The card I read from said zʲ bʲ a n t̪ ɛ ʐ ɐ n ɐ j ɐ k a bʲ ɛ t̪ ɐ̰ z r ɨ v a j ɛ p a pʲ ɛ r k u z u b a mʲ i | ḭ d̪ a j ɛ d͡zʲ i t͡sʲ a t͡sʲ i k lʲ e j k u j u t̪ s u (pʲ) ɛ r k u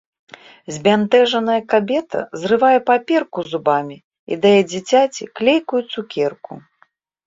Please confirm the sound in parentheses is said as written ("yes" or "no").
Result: no